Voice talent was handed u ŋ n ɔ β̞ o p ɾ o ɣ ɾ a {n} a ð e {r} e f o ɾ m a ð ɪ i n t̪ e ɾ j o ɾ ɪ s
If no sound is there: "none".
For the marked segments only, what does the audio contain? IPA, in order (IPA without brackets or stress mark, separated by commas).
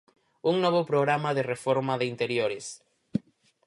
m, r